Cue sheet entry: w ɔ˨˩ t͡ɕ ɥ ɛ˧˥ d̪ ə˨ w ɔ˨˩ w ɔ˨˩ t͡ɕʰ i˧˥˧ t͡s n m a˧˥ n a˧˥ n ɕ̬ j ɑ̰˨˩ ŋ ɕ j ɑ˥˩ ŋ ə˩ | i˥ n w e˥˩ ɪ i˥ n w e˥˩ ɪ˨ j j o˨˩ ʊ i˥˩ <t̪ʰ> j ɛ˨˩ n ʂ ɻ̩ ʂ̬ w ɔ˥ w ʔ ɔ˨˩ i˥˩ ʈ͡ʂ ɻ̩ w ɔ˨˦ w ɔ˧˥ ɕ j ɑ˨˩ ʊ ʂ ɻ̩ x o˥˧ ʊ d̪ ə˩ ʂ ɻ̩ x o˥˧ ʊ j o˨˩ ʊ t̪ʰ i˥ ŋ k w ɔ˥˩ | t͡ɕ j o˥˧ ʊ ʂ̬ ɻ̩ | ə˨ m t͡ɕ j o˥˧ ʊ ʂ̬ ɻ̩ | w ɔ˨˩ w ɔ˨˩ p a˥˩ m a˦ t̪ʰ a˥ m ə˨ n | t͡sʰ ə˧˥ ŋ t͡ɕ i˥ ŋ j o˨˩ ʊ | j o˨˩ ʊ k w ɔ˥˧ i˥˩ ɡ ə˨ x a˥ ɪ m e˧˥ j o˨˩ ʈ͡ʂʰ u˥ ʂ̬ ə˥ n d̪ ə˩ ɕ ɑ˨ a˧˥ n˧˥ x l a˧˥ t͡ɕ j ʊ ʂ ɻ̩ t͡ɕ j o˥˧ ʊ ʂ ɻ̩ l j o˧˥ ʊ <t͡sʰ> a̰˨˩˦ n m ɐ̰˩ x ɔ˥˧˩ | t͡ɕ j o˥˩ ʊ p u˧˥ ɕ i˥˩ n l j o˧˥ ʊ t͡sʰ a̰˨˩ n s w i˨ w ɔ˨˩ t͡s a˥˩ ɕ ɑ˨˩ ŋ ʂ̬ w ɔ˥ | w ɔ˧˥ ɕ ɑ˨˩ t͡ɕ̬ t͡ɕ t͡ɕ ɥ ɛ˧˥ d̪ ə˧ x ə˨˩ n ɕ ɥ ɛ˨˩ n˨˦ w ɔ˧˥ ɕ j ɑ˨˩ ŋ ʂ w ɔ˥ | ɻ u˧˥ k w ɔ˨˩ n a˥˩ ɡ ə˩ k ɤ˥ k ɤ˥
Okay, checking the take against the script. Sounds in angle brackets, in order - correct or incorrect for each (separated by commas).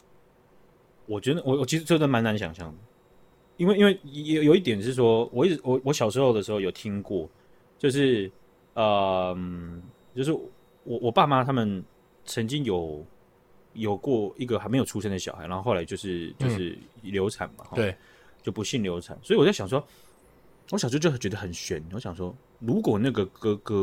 incorrect, correct